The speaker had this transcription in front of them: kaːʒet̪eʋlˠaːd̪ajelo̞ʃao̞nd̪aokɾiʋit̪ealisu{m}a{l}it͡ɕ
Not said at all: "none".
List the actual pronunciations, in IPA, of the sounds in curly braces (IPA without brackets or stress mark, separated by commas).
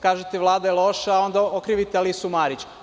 m, ɾ